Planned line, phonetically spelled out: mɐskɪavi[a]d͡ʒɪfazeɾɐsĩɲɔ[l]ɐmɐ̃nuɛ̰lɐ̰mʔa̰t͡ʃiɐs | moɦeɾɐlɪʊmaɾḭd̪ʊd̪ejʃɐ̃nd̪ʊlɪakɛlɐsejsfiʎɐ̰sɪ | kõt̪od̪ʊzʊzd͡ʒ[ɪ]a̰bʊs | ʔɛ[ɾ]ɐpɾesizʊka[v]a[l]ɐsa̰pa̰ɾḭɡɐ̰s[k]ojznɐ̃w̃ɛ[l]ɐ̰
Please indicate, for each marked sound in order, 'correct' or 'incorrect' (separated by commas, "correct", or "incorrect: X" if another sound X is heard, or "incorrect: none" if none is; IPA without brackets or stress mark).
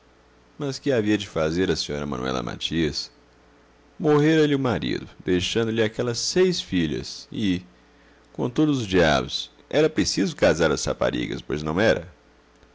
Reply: incorrect: ɐ, incorrect: ɾ, incorrect: i, correct, incorrect: z, incorrect: ɾ, incorrect: p, incorrect: ɾ